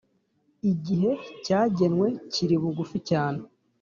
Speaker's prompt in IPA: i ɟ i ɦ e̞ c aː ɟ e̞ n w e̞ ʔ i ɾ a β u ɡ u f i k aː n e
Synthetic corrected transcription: i ɟ i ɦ e̞ c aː ɟ e̞ n w e̞ c i ɾ i β u ɡ u f i c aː n e